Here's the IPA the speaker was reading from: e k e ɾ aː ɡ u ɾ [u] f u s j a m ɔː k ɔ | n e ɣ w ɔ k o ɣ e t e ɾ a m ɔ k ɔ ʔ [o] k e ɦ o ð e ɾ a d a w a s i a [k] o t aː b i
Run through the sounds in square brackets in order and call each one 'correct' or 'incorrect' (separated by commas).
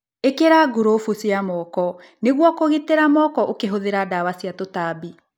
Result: incorrect, correct, incorrect